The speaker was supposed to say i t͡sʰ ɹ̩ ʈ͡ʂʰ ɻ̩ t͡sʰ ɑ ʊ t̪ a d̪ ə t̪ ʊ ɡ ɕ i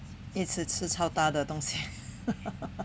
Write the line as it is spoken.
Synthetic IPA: i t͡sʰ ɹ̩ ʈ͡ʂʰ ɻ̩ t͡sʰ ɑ ʊ t̪ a d̪ ə t̪ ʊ ŋ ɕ i